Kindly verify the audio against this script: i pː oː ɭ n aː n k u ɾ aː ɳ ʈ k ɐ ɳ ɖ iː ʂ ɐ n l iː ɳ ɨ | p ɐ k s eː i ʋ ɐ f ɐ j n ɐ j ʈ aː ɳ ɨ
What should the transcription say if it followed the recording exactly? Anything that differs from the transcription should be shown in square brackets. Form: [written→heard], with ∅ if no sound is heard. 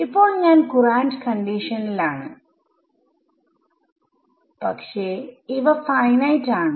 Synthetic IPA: i pː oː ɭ [n→ɲ] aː n k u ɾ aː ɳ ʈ k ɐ ɳ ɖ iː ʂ ɐ n l [iː→aː] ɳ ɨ | p ɐ k [s→ʂ] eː i ʋ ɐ f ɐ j n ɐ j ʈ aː ɳ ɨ